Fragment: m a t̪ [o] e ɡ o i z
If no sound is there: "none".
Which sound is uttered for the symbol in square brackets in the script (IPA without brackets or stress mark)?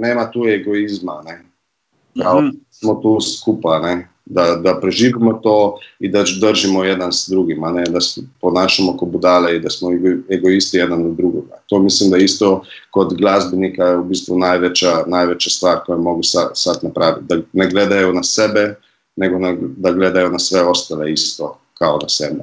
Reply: u